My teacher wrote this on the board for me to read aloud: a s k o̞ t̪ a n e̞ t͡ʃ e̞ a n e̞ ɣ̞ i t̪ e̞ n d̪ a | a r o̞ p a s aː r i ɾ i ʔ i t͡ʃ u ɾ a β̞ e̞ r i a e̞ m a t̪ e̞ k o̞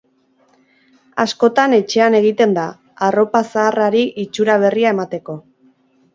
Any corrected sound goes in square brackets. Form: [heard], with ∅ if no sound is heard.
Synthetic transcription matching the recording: a s k o̞ t̪ a n e̞ t͡ʃ e̞ a n e̞ ɣ̞ i t̪ e̞ n d̪ a | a r o̞ p a s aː r [a] ɾ i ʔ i t͡ʃ u ɾ a β̞ e̞ r i a e̞ m a t̪ e̞ k o̞